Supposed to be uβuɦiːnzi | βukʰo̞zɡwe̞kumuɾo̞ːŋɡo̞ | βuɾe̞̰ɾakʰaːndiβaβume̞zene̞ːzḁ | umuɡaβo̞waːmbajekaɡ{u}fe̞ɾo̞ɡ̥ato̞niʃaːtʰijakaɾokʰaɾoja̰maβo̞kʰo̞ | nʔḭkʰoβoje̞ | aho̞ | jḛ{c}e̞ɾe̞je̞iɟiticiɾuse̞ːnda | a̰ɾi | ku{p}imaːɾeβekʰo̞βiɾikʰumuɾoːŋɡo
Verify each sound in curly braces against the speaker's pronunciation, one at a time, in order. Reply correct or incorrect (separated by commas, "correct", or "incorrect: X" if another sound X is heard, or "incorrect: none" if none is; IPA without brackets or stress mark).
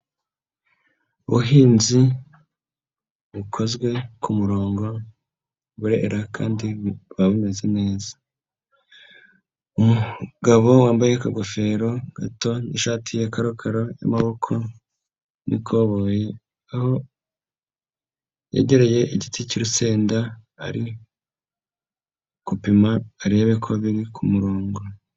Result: incorrect: o, incorrect: ɟ, correct